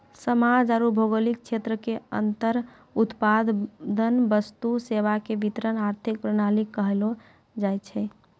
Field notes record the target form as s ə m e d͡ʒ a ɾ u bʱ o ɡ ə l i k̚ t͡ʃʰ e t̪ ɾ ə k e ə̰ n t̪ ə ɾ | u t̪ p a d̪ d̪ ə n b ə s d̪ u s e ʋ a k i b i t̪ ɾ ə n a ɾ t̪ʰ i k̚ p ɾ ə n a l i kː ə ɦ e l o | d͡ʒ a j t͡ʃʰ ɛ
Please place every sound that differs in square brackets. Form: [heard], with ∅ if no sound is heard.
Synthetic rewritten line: s ə m [a] d͡ʒ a ɾ u bʱ o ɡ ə l i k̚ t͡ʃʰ e t̪ ɾ ə k e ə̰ n t̪ ə ɾ | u t̪ p a d̪ d̪ ə n b ə s [t̪] u s e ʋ a k [e] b i t̪ ɾ ə n a ɾ t̪ʰ i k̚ p ɾ ə n a l i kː ə ɦ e l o | d͡ʒ a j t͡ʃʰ ɛ